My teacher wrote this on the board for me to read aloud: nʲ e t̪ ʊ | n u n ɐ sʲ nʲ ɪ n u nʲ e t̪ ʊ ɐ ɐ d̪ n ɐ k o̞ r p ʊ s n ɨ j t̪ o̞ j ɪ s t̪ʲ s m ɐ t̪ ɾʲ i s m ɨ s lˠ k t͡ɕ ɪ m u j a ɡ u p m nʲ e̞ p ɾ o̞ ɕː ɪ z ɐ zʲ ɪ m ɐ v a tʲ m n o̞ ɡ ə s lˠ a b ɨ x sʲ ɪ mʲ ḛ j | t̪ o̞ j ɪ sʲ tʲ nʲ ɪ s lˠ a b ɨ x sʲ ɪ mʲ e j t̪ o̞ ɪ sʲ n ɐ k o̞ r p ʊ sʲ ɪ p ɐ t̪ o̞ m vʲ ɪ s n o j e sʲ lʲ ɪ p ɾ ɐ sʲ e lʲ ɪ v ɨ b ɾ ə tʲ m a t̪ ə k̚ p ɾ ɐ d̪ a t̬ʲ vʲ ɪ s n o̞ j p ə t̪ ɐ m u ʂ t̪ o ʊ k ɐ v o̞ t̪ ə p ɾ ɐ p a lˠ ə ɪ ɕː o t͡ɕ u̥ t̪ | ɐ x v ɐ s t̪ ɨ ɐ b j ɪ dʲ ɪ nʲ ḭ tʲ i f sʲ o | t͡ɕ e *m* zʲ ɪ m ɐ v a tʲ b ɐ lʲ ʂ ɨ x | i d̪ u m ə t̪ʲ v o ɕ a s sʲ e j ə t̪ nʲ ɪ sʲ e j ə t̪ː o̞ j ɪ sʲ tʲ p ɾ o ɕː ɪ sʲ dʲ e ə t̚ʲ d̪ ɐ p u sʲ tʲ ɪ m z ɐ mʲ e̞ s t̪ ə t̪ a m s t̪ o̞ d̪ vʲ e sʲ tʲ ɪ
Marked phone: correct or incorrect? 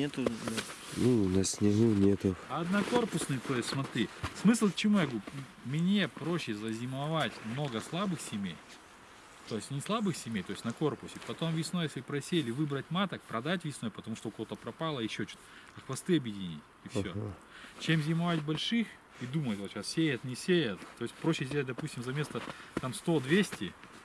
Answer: correct